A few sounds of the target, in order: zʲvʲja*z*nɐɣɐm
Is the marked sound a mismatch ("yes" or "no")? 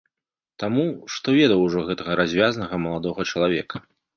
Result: no